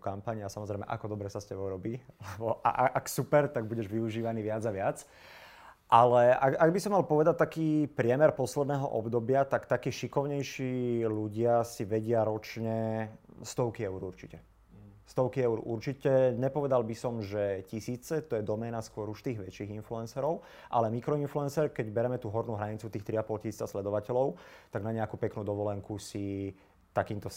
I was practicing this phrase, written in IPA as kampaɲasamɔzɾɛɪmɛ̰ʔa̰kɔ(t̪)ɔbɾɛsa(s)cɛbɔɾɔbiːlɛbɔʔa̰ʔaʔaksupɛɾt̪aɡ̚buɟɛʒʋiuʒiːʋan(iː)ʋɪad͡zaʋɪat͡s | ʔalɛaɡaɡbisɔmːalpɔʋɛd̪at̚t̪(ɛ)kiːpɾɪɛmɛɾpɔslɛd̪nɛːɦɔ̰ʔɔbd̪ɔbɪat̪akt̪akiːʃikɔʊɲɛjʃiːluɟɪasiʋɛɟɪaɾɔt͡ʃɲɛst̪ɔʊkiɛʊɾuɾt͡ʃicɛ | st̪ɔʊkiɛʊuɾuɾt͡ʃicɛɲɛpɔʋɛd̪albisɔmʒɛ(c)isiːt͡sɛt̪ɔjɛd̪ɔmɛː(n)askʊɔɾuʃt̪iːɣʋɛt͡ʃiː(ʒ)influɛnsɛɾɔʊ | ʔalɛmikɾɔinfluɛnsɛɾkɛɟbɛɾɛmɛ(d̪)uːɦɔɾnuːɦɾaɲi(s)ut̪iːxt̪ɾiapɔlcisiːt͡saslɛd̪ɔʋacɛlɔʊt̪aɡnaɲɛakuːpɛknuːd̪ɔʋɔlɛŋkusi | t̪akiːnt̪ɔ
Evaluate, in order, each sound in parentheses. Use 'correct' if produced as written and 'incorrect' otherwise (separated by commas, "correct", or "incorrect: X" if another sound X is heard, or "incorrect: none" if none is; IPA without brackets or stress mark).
incorrect: d̪, correct, correct, incorrect: a, correct, correct, incorrect: ɣ, incorrect: t̪, incorrect: t͡s